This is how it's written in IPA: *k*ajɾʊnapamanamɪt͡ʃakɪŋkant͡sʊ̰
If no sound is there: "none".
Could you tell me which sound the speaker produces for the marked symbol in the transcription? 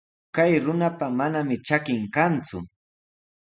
k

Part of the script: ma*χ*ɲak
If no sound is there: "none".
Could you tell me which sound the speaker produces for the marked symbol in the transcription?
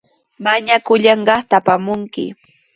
none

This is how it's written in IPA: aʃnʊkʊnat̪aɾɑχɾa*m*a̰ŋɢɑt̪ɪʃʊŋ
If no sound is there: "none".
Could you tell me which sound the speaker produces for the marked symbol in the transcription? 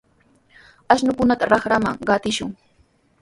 m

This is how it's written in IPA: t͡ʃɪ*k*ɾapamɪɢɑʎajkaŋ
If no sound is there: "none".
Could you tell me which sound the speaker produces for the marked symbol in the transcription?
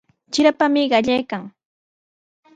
none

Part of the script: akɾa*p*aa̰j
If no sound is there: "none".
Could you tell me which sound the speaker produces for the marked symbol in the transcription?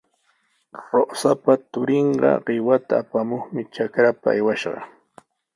p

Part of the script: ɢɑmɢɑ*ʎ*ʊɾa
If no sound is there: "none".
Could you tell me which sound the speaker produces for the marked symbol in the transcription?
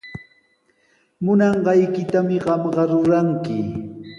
ɾ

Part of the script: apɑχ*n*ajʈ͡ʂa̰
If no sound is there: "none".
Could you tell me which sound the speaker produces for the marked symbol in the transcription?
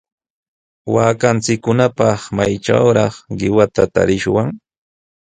m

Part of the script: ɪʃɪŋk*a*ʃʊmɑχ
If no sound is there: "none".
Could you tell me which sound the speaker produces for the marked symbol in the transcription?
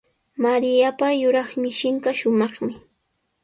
a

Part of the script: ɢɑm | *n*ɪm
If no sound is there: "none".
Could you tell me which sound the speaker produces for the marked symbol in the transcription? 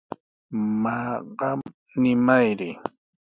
n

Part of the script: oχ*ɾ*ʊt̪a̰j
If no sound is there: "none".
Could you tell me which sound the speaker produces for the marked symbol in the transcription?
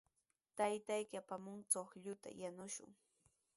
ʎ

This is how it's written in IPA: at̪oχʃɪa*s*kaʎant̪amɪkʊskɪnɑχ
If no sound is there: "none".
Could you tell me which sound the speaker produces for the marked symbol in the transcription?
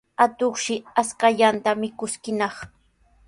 s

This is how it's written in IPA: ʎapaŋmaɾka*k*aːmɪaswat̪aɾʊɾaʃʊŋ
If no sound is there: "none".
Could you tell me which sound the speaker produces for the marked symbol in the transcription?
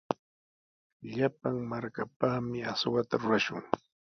p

